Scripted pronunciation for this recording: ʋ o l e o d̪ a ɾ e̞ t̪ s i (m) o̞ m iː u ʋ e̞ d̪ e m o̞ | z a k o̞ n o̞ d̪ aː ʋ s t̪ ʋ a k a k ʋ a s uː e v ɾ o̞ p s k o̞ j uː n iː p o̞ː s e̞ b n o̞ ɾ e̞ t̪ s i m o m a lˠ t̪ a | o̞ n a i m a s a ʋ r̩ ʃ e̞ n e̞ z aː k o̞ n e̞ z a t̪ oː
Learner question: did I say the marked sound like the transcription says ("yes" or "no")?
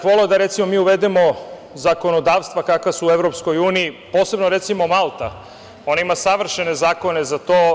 yes